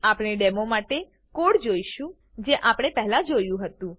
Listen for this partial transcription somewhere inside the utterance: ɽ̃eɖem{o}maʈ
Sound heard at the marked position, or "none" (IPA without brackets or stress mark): o